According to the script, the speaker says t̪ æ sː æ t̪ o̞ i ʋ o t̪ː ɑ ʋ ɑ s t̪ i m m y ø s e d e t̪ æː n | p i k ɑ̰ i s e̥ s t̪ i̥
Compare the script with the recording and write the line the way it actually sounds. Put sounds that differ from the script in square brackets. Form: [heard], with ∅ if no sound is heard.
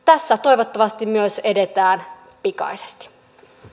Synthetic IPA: t̪ æ sː æ t̪ o̞ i ʋ o t̪ː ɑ ʋ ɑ s t̪ i m m y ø s e d e t̪ æː n | p i k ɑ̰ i s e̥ s t̪ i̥